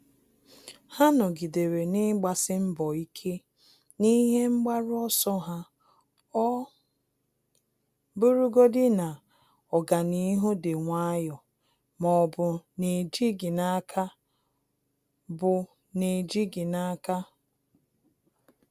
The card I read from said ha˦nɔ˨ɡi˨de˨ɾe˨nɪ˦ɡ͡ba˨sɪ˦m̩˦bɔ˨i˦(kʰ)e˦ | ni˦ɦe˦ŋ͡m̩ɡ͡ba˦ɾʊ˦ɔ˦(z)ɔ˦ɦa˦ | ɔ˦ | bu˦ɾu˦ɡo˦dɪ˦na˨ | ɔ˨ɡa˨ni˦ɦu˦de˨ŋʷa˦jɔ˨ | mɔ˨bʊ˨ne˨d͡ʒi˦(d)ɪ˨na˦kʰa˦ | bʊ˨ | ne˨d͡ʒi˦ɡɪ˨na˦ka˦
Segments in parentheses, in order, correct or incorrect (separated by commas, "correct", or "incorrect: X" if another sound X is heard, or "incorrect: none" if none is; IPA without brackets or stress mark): correct, incorrect: s, incorrect: ɡ